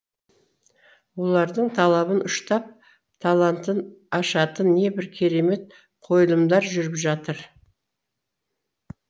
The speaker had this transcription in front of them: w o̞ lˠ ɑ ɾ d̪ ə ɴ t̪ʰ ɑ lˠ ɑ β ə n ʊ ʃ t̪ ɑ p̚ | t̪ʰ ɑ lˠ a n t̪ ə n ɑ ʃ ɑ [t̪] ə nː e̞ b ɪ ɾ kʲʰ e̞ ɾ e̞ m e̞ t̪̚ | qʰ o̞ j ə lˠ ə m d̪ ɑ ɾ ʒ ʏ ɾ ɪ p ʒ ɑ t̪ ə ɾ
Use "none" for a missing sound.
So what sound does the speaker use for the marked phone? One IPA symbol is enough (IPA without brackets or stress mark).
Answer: t̪